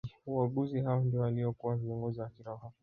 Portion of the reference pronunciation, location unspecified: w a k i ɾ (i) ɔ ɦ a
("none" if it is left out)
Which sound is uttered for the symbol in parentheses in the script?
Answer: a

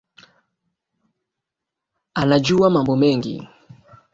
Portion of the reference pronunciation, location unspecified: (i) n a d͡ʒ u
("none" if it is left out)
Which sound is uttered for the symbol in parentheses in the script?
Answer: a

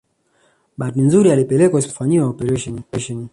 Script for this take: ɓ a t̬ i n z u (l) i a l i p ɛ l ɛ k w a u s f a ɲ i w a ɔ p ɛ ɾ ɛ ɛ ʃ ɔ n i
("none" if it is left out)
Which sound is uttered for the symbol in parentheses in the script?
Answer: ɾ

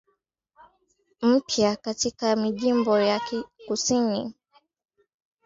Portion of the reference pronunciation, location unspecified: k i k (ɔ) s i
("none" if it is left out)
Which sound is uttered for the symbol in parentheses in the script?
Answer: u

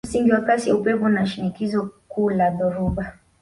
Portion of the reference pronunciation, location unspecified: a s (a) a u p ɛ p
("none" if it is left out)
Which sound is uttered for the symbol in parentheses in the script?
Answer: i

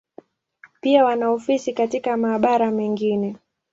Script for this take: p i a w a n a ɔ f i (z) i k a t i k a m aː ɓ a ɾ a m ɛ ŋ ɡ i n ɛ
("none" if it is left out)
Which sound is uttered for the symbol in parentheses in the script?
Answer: s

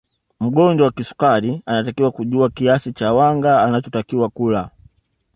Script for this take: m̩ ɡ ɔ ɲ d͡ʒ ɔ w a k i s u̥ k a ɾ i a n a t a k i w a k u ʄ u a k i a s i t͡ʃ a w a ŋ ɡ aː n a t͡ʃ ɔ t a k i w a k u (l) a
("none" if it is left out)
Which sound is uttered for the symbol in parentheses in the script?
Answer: l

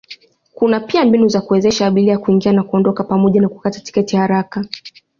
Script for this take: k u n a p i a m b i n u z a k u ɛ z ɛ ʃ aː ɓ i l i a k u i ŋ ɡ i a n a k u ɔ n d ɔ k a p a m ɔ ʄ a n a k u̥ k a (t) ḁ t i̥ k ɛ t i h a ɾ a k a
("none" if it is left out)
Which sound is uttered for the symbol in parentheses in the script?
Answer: t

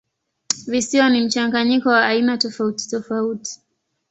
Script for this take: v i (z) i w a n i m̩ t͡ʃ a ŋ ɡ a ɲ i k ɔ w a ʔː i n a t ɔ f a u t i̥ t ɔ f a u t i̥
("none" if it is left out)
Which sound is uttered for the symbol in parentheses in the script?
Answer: s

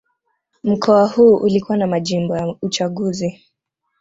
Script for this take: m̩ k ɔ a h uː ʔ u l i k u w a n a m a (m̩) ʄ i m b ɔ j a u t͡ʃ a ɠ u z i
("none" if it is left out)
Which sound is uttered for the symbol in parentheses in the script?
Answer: none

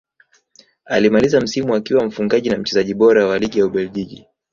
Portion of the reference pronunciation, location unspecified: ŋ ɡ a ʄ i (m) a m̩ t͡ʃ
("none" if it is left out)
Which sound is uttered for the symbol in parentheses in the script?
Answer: n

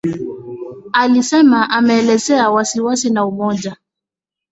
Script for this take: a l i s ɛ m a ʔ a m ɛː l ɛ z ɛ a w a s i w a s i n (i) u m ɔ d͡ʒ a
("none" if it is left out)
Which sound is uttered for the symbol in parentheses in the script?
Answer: a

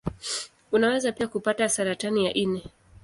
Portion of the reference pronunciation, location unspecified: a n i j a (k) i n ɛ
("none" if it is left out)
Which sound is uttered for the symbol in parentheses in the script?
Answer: ʔ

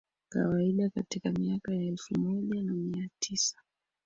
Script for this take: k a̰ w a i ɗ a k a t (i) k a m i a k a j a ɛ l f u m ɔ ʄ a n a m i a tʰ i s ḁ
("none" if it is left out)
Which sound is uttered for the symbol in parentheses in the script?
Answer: i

